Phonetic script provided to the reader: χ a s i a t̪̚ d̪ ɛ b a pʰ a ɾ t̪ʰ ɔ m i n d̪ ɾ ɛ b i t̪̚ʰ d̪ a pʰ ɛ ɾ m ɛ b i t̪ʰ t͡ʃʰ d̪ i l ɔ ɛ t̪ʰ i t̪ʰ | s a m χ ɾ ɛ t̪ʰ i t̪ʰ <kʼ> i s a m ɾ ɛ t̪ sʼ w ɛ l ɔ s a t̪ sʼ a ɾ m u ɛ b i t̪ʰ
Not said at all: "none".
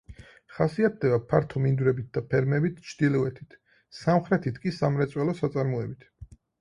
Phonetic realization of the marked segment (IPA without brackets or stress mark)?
kʼ